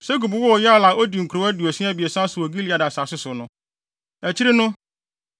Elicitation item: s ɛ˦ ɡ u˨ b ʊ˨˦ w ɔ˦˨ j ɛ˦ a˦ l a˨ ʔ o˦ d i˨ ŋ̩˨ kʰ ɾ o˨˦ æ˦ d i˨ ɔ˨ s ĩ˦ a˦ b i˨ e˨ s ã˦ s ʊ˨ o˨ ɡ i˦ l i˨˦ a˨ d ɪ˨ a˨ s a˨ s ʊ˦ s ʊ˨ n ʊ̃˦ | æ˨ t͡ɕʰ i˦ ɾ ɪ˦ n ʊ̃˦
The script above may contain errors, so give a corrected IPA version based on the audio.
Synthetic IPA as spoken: s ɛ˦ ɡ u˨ b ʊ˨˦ w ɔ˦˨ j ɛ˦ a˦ l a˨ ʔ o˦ d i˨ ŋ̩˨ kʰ ɾ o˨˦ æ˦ d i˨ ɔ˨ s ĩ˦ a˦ b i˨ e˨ s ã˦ s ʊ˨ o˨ ɡ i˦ l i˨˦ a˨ d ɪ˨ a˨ s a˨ s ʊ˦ s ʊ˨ n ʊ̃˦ | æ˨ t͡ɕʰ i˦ ɾ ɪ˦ n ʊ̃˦